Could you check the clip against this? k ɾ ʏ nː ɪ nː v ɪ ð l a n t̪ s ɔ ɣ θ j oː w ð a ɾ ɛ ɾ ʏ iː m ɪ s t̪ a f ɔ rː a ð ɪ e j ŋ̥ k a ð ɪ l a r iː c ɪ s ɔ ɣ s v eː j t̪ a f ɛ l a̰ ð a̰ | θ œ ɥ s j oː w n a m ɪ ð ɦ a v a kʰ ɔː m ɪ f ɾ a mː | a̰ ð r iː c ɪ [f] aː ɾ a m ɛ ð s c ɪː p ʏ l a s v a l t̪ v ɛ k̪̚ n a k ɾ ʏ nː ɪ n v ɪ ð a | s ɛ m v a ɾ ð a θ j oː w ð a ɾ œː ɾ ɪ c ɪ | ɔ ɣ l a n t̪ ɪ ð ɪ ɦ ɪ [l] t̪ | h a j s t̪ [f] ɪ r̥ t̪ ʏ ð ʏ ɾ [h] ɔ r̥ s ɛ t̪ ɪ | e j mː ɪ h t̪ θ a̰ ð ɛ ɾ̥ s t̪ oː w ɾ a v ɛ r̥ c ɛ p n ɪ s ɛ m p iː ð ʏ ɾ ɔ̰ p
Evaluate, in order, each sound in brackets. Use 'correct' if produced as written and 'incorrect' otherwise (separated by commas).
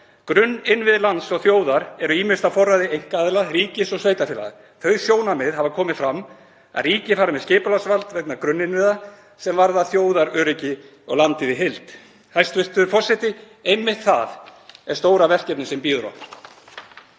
correct, correct, incorrect, incorrect